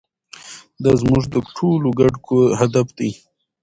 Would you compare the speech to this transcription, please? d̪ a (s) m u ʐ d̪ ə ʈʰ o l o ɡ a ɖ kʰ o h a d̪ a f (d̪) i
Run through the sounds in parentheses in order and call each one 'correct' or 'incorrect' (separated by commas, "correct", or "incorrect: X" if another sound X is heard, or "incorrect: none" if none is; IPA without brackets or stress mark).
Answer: incorrect: z, correct